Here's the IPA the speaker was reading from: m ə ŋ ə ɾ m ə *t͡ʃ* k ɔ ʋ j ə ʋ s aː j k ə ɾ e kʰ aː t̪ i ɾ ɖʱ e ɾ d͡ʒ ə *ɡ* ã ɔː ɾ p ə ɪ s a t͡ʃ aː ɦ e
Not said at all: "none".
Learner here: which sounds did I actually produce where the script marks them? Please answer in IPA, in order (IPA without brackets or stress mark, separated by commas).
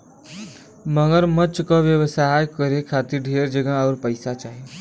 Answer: t͡ʃ, ɡ